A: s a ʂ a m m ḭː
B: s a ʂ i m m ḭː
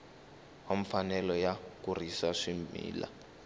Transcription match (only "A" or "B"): B